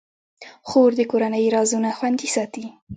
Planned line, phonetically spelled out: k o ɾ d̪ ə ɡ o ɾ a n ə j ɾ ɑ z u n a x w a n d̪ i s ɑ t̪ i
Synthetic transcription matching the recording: x o ɾ d̪ ə k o ɾ a n ə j ɾ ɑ z u n a x w a n d̪ i s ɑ t̪ i